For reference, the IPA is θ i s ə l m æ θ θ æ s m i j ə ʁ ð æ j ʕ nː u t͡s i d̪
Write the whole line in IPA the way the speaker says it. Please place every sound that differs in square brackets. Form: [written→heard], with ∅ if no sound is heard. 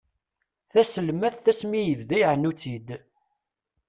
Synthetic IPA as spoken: θ [i→æ] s ə l m æ θ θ æ s m i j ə [ʁ→v] ð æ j ʕ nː u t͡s i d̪